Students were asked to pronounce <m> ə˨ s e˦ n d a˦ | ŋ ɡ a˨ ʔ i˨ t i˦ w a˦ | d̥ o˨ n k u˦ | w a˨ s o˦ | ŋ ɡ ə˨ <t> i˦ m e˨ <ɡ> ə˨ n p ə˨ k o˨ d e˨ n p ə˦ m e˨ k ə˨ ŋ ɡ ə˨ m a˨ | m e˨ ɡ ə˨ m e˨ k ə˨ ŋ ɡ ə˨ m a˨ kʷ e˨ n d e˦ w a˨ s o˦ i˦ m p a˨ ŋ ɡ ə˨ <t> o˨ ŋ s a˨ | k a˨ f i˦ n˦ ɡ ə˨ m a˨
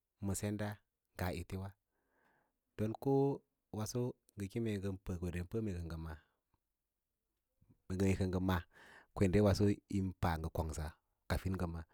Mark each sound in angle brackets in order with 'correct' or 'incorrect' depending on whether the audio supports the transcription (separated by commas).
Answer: correct, incorrect, correct, incorrect